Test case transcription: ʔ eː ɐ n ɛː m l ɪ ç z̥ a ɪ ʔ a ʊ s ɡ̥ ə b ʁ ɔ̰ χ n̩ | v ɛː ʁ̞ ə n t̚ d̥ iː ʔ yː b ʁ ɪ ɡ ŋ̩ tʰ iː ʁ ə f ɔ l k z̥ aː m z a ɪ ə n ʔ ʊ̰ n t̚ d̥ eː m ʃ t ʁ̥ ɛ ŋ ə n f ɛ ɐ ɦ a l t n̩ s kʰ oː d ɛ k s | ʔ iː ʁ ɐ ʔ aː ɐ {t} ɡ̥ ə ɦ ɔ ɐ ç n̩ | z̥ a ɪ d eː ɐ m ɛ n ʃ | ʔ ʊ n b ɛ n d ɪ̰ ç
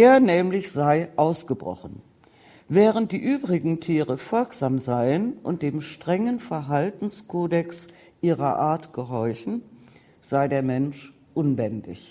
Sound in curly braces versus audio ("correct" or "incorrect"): correct